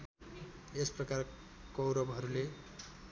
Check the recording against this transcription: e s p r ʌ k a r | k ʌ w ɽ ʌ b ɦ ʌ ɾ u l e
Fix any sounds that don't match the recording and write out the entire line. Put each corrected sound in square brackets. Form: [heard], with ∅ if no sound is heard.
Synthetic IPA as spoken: e s p r ʌ k a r | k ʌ w [ɾ] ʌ b ɦ ʌ ɾ u l e